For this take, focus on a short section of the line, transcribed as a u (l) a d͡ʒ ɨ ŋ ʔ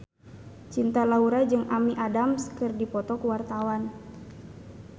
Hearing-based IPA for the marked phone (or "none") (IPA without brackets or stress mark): ɾ